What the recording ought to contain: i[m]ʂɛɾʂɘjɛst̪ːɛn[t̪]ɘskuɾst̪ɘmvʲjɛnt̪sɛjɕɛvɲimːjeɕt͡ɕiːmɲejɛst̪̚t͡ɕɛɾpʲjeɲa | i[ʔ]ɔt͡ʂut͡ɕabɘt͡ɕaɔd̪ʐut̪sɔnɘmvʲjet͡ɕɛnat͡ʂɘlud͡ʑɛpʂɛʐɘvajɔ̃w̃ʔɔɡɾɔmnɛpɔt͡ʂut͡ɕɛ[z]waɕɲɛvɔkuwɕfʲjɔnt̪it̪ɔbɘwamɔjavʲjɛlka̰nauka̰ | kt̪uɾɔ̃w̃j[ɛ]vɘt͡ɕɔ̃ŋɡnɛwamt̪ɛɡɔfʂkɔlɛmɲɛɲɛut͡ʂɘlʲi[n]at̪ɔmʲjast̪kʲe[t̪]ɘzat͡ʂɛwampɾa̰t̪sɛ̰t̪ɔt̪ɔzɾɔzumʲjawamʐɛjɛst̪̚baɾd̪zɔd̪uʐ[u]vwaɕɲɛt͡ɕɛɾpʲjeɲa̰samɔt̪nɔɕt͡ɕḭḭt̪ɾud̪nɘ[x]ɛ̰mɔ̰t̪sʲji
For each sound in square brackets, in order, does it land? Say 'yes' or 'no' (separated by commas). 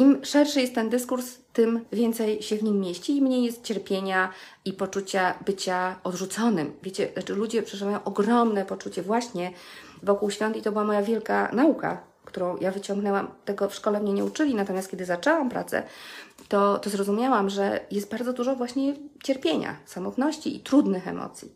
yes, no, no, no, no, yes, no, no, yes